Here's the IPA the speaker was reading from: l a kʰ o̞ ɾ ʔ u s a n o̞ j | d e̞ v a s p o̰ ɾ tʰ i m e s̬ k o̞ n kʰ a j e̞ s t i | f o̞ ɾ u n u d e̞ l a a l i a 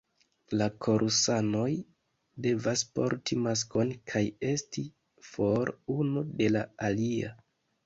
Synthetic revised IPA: l a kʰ o̞ ɾ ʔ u s a n o̞ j | d e̞ v a s p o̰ ɾ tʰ i m a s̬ k o̞ n kʰ a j e̞ s t i | f o̞ ɾ u n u d e̞ l a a l i a